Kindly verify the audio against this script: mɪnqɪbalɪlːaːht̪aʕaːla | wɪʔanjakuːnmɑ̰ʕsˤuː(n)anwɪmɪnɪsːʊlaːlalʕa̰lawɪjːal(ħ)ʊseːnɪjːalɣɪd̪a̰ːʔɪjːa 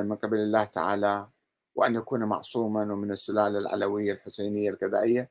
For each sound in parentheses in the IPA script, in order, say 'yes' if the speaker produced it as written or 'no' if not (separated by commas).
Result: no, yes